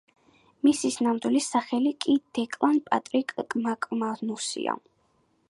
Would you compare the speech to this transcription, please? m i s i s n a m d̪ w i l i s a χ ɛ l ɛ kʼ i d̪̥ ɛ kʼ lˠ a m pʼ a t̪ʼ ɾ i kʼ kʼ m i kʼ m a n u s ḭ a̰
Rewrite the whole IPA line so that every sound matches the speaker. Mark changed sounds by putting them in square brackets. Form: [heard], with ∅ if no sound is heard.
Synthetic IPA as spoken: m i s i s n a m d̪ w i l i s a χ ɛ l [i] kʼ i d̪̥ ɛ kʼ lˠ a [n] pʼ a t̪ʼ ɾ i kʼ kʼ m [a] kʼ m a n u s ḭ a̰